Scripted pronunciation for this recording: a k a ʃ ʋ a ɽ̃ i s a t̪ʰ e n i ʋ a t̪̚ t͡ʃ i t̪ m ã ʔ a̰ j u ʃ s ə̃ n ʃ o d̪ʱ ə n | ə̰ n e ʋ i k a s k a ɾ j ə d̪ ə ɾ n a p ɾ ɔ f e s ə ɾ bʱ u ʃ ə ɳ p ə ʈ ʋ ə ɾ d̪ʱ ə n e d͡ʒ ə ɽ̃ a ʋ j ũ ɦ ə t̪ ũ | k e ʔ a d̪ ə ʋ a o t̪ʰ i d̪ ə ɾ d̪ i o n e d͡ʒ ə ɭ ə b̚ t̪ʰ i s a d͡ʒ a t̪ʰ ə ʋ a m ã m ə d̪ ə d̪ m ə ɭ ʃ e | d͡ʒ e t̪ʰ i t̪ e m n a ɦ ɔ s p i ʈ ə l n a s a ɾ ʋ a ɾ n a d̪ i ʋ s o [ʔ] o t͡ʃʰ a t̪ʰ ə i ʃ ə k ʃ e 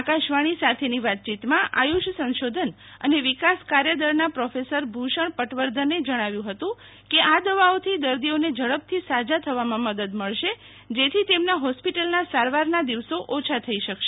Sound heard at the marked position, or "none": ʔ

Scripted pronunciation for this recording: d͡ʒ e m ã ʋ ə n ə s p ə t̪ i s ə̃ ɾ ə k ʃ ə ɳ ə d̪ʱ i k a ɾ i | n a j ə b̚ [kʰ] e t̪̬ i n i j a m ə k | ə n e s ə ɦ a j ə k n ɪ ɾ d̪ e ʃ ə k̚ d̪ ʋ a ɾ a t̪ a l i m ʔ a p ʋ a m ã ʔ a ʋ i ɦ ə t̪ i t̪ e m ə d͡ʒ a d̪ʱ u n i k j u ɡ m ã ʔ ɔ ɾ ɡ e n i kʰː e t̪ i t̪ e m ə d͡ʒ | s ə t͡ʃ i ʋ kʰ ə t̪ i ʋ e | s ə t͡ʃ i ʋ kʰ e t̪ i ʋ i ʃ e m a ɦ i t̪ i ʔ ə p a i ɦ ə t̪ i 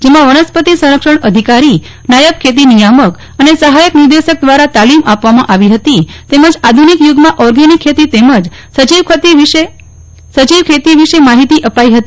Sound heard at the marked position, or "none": kʰ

